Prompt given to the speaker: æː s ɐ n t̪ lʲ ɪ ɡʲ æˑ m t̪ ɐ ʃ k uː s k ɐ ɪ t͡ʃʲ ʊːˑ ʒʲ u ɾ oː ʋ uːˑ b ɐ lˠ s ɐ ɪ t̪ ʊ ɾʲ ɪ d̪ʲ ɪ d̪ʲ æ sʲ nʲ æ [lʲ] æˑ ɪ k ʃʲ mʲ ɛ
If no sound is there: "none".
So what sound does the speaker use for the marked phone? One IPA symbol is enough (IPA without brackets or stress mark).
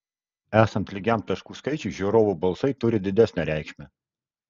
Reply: ɾʲ